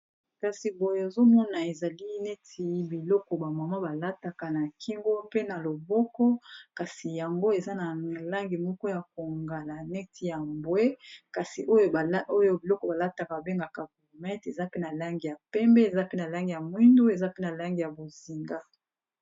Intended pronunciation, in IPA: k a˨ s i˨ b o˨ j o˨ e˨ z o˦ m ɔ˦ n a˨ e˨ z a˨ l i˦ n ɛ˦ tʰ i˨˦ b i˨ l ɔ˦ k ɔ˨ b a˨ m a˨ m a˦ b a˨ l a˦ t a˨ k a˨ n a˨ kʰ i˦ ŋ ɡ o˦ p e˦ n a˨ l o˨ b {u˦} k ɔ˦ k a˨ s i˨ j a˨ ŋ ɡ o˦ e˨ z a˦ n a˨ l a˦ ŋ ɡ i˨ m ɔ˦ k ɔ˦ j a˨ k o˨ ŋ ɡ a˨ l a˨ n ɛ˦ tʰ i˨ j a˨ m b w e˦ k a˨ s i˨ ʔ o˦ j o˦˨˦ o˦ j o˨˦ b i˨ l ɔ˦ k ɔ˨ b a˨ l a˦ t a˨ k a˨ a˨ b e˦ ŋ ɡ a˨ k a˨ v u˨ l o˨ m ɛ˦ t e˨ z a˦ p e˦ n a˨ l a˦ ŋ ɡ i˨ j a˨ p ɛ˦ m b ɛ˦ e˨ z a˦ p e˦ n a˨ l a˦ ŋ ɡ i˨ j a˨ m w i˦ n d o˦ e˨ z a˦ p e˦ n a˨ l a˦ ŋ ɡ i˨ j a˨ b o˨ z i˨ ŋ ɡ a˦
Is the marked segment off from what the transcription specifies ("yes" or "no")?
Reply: yes